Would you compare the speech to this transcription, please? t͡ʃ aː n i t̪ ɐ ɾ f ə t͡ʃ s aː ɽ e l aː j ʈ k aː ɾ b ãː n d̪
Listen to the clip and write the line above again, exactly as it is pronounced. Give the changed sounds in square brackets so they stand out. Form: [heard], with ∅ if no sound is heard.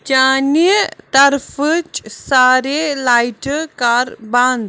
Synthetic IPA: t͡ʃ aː n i t̪ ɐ ɾ f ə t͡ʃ s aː [ɾ] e l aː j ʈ k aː ɾ b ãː n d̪